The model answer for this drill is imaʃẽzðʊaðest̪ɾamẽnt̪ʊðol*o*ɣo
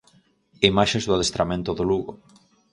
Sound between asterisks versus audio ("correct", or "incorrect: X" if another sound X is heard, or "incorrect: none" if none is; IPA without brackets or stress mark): incorrect: u